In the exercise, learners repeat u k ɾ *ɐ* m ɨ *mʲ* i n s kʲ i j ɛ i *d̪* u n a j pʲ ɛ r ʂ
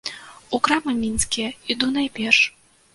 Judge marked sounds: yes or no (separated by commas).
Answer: no, yes, yes